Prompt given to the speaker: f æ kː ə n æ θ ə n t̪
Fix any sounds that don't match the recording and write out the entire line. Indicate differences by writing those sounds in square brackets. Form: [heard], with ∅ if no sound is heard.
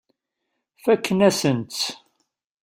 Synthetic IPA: f æ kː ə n æ [s] ə n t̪

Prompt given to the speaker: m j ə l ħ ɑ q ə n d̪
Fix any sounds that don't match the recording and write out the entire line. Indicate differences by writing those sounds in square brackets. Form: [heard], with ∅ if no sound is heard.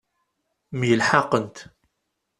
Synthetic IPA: m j ə l ħ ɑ q ə n [t̪]

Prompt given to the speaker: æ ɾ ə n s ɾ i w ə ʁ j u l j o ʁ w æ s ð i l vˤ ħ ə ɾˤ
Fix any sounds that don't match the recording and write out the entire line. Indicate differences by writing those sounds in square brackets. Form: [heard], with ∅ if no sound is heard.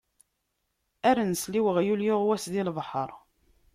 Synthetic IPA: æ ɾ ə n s [l] i w ə ʁ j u l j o ʁ w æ s ð i l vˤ ħ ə ɾˤ

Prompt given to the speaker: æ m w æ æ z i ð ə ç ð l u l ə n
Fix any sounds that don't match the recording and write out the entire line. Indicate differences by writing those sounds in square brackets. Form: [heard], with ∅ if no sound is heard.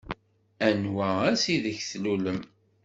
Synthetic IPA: æ [n] w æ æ [s] i ð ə ç [θ] l u l ə [m]

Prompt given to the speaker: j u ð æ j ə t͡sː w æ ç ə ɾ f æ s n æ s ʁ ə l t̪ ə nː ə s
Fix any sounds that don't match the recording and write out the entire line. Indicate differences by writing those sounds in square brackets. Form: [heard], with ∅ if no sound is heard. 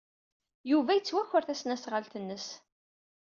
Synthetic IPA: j u [v] æ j ə t͡sː w æ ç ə ɾ [θ] æ s n æ s ʁ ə l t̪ ə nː ə s

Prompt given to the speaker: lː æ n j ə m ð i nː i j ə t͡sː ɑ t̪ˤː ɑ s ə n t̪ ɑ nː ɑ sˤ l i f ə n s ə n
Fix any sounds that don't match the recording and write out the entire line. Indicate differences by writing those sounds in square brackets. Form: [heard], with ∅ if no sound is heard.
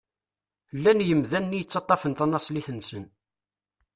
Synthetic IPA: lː æ n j ə m ð [æ] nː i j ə t͡sː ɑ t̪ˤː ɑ [f] ə n t̪ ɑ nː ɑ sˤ l i [θ] ə n s ə n

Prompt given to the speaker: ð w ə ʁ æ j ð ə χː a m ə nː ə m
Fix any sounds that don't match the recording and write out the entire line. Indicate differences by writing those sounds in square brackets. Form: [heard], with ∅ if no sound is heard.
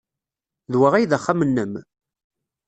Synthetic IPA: ð w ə ʁ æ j ð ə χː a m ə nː ə m

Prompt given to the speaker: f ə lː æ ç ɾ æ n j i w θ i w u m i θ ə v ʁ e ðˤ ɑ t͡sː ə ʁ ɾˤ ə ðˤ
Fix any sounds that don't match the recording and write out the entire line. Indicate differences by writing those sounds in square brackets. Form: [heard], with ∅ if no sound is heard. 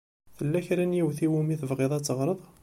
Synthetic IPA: [θ] ə lː æ ç ɾ æ n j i w θ i w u m i θ ə v ʁ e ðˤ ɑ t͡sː ə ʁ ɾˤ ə ðˤ

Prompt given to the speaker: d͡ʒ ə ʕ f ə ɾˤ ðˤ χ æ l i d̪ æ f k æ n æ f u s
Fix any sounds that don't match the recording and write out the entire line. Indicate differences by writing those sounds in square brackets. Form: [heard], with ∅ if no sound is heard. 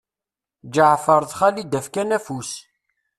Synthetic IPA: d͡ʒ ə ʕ f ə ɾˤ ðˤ χ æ l i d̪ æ f k æ n æ f u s

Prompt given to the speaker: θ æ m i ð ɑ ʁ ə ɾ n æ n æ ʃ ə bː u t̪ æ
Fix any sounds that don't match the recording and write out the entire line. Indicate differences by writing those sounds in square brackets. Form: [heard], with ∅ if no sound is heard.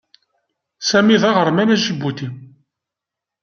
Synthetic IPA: [s] æ m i ð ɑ ʁ ə ɾ [m] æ n æ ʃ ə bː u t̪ [i]

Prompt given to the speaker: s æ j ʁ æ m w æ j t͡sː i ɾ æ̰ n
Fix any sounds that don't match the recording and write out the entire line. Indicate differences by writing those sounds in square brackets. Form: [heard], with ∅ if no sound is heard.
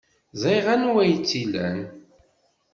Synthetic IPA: [z] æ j ʁ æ [n] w æ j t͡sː i [l] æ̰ n

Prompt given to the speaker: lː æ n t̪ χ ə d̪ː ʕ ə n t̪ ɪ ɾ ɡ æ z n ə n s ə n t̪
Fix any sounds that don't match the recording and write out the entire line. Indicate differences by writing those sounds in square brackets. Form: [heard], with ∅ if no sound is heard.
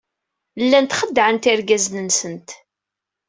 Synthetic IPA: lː æ n t̪ χ ə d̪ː ʕ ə n t̪ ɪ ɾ ɡ æ z n ə n s ə n t̪

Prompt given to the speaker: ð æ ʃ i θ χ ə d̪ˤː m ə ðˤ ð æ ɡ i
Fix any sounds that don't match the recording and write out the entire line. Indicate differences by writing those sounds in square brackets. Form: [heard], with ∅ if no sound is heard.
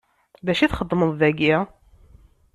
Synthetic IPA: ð æ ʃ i θ χ ə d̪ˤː m ə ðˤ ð æ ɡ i

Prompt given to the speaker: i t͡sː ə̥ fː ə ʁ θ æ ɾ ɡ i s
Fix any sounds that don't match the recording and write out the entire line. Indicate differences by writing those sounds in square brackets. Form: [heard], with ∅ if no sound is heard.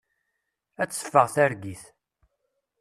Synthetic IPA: [æ] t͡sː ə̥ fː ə ʁ θ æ ɾ ɡ i [θ]

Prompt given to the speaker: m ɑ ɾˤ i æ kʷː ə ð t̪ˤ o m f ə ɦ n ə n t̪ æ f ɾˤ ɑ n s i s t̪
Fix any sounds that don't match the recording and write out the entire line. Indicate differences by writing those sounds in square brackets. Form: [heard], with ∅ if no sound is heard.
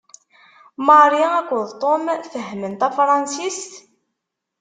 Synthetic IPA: m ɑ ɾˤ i æ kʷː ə ð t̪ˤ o m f ə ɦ [m] ə n t̪ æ f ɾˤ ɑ n s i s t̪

